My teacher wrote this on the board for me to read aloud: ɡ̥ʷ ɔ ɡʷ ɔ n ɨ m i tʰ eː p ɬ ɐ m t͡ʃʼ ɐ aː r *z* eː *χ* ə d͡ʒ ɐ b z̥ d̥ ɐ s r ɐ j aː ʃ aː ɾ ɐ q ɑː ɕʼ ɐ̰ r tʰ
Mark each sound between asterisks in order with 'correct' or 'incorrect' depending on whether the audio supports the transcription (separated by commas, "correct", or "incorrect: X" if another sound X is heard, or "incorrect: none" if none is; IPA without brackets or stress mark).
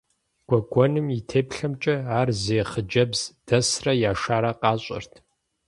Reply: correct, correct